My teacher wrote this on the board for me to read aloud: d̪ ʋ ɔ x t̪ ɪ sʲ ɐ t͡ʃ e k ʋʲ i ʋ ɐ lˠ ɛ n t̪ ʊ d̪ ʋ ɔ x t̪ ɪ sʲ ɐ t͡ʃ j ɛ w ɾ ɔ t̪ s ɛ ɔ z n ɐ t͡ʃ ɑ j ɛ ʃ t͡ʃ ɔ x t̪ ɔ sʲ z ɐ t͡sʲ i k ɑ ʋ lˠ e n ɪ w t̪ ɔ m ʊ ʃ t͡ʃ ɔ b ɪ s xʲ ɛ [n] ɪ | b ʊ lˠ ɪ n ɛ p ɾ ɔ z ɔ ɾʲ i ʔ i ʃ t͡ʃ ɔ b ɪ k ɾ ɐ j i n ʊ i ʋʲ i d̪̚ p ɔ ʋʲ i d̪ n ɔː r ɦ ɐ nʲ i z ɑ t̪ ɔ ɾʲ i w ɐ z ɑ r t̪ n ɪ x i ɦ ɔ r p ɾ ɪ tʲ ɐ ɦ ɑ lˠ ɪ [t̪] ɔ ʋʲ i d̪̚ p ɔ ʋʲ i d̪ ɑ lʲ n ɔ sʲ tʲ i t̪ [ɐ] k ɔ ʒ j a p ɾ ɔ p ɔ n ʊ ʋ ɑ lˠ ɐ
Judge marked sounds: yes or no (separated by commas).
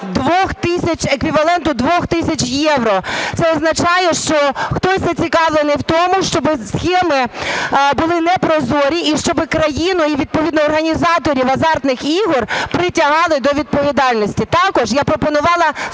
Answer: no, no, no